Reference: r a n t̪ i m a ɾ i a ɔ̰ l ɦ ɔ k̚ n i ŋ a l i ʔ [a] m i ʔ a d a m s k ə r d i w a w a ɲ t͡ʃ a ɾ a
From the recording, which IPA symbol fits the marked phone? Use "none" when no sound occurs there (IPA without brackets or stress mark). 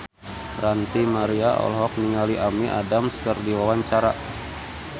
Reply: a